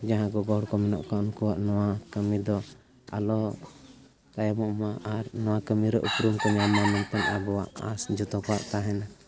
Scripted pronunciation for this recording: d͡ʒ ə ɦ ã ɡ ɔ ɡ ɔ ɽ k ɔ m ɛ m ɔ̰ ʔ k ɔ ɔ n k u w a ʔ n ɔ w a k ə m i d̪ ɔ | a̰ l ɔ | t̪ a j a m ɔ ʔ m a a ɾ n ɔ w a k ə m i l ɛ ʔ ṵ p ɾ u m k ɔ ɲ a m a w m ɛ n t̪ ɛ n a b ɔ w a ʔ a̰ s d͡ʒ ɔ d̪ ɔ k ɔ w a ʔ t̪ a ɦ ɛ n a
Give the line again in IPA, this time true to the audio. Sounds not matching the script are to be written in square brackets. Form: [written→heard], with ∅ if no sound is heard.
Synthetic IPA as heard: d͡ʒ [ə→a] ɦ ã ɡ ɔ ɡ ɔ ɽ k ɔ m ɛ [m→n] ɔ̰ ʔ k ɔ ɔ n k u w a ʔ n ɔ w a k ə m i d̪ ɔ | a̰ l ɔ | t̪ a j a m ɔ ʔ m a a ɾ n ɔ w a k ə m i [l→ɾ] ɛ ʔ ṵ p ɾ u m k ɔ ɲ a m a [w→∅] m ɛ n t̪ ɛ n a b ɔ w a ʔ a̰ s d͡ʒ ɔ [d̪→t̪] ɔ k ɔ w a ʔ t̪ a ɦ ɛ n a

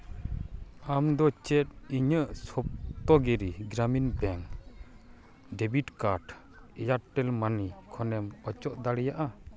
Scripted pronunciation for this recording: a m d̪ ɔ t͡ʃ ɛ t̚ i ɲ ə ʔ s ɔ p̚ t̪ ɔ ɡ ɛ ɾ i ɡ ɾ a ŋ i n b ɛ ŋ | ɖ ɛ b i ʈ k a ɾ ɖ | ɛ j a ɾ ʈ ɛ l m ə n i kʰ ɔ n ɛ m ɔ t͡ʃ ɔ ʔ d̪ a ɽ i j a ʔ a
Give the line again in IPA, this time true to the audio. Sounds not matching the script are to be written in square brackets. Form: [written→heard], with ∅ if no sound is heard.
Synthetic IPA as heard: a m d̪ ɔ t͡ʃ ɛ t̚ i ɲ ə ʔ s ɔ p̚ t̪ ɔ ɡ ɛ ɾ i ɡ ɾ a [ŋ→m] i n b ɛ ŋ | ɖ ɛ b i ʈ k a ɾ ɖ | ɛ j a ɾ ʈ ɛ l m [ə→a] n i kʰ ɔ n ɛ m ɔ t͡ʃ ɔ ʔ d̪ a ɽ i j a ʔ a

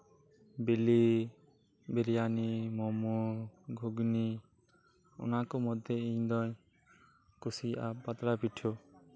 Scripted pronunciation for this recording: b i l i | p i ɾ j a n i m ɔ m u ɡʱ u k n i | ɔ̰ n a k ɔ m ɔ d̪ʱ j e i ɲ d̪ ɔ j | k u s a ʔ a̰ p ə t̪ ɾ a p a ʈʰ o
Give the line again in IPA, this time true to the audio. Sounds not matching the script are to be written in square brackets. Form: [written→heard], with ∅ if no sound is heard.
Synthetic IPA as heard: b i l i | [p→b] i ɾ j a n i m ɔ m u ɡʱ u [k→ɡ] n i | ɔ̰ n a k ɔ m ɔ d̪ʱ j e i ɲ d̪ ɔ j | k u s [a→i] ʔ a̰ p [ə→a] t̪ ɾ a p [a→i] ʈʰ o

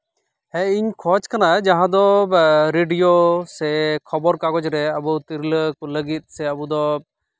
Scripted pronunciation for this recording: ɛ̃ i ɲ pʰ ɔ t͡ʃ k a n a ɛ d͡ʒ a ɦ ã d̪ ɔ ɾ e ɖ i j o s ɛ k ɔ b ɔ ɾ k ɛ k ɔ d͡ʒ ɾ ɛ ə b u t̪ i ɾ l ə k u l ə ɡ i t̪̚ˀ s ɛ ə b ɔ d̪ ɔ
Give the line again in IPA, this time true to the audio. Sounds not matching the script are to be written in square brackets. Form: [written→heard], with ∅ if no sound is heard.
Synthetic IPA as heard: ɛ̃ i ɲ [pʰ→kʰ] ɔ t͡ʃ k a n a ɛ d͡ʒ a ɦ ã d̪ ɔ ɾ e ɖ i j o s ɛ [k→kʰ] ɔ b ɔ ɾ k [ɛ→a] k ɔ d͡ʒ ɾ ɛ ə b u t̪ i ɾ l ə k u l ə ɡ i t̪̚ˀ s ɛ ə b [ɔ→u] d̪ ɔ

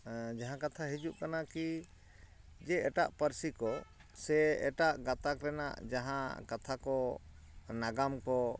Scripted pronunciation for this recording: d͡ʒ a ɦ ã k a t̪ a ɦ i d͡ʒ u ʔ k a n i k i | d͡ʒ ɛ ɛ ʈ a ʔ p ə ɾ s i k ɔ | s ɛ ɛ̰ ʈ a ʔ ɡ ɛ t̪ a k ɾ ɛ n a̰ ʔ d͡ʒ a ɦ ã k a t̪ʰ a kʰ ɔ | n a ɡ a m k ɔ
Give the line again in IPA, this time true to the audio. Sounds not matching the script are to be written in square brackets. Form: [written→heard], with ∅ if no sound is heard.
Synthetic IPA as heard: d͡ʒ a ɦ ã k a [t̪→t̪ʰ] a ɦ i d͡ʒ u ʔ k a n [i→a] k i | d͡ʒ ɛ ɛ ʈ a ʔ p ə ɾ s i k ɔ | s ɛ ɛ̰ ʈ a ʔ ɡ [ɛ→a] t̪ a k ɾ ɛ n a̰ ʔ d͡ʒ a ɦ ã k a t̪ʰ a [kʰ→k] ɔ | n a ɡ a m k ɔ

